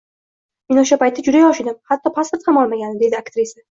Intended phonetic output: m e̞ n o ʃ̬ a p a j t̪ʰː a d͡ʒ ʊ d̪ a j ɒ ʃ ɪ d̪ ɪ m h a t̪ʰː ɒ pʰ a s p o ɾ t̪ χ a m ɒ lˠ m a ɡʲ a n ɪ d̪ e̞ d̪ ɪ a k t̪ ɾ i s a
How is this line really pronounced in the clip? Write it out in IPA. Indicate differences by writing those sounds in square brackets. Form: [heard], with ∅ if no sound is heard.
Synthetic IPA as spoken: m e̞ n o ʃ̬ a p a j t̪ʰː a d͡ʒ ʊ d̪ a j ɒ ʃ ɪ d̪ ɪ m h a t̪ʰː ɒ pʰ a s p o ɾ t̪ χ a m ɒ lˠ m a ɡʲ a n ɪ d̪ e̞ d̪ ɪ a k t̪ ɾ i s a